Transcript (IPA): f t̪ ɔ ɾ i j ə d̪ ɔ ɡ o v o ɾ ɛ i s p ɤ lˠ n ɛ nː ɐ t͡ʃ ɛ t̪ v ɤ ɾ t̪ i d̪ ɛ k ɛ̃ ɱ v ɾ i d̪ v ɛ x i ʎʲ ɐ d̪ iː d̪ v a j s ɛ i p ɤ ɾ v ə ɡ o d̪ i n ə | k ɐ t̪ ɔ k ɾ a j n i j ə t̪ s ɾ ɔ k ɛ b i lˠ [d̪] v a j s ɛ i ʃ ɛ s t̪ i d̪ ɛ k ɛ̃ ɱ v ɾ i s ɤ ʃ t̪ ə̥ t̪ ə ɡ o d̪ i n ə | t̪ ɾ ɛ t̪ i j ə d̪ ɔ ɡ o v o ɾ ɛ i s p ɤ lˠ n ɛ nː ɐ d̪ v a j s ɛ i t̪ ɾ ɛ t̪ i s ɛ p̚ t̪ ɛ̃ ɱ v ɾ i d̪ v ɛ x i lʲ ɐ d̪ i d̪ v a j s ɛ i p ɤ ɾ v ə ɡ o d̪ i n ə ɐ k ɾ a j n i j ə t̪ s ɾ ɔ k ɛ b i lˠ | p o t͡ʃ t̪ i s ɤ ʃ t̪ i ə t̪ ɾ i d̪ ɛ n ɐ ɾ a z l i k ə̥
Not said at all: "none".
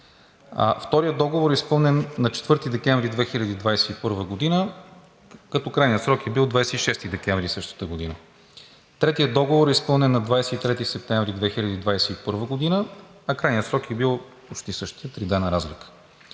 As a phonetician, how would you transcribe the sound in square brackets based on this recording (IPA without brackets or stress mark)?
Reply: d̪